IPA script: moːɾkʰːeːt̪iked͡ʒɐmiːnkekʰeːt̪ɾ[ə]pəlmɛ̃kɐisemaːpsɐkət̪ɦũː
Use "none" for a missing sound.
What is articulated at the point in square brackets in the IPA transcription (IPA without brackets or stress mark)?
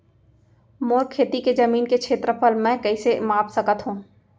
ə